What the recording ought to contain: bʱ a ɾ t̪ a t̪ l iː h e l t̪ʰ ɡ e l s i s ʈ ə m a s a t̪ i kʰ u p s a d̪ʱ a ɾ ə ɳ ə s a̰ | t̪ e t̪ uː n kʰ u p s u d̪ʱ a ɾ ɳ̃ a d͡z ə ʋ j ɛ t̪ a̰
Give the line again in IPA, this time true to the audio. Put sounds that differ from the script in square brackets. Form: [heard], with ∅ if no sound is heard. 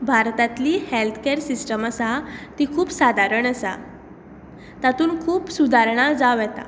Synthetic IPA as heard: bʱ a ɾ t̪ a t̪ l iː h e l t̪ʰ [k] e [ɾ] s i s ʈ ə m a s a t̪ i kʰ [uː] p s a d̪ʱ a ɾ ə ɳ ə s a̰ | t̪ [a] t̪ uː n kʰ [uː] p s u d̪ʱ a ɾ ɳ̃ a d͡z [a] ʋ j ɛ t̪ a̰